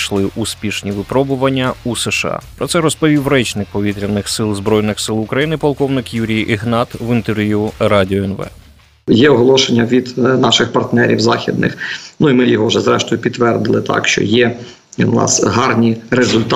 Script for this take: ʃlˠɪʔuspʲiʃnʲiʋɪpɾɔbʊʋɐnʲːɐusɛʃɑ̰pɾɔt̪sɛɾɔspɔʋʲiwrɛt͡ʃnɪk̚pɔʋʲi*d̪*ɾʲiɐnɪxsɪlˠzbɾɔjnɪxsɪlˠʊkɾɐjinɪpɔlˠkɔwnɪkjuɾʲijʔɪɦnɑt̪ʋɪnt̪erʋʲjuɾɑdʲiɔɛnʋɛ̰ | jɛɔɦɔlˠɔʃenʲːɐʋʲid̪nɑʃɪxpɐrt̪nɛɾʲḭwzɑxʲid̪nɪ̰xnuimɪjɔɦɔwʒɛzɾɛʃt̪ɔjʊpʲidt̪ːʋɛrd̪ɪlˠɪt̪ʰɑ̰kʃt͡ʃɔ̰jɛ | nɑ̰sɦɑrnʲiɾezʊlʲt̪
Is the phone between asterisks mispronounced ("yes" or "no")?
yes